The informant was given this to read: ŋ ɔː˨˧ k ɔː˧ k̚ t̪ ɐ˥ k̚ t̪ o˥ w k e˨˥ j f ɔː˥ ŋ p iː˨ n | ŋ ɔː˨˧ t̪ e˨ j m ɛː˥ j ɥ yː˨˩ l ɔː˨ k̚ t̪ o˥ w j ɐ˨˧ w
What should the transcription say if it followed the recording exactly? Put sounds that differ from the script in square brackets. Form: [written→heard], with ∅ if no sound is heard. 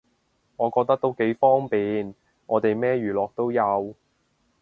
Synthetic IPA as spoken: ŋ ɔː˨˧ k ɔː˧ k̚ t̪ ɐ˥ k̚ t̪ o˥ w k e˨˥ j f ɔː˥ ŋ p iː˨ n | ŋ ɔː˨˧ t̪ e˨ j m ɛː˥ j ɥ yː˨˩ l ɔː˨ k̚ t̪ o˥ w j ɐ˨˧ w